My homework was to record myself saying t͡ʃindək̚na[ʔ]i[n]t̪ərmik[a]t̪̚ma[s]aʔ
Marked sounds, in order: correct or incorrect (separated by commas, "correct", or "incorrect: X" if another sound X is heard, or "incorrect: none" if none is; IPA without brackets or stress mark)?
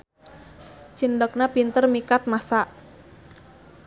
incorrect: p, correct, correct, correct